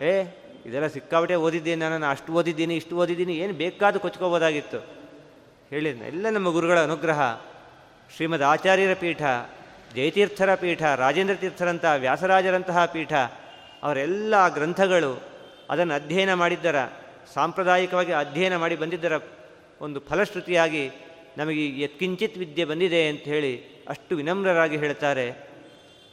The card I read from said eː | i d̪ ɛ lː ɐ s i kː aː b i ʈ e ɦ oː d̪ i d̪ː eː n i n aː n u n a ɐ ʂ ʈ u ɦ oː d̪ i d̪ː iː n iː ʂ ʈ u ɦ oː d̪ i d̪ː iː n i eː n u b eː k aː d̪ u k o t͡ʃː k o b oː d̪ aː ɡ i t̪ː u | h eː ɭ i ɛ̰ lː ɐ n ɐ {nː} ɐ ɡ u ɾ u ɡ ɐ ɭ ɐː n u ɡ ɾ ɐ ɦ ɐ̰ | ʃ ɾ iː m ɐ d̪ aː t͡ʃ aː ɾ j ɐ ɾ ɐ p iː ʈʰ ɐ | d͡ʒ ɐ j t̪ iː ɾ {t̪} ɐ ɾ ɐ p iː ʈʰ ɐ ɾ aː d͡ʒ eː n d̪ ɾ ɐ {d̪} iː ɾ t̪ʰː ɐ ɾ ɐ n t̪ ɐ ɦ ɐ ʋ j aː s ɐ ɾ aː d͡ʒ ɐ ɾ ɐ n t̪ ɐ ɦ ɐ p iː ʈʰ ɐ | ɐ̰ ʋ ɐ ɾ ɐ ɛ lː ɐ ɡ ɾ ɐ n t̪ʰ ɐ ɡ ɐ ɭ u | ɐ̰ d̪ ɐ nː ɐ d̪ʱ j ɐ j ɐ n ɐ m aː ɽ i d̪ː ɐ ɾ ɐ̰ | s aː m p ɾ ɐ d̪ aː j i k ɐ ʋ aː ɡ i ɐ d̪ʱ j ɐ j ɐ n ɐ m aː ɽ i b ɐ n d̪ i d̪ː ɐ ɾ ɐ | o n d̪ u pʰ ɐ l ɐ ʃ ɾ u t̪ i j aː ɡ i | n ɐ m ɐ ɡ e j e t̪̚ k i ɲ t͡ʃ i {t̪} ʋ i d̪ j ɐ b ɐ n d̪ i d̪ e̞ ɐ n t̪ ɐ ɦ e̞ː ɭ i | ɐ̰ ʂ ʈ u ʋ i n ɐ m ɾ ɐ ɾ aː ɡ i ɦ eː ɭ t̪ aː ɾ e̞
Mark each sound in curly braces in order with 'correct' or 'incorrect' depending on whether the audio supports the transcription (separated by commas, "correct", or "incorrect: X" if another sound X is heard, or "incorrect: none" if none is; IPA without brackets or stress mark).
incorrect: mː, incorrect: t̪ʰ, incorrect: t̪, correct